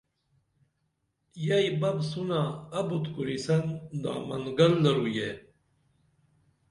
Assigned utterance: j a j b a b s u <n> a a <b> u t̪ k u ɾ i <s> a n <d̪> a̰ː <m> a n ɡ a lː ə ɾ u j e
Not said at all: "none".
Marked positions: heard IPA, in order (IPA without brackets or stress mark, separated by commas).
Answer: n, b, s, d̪, m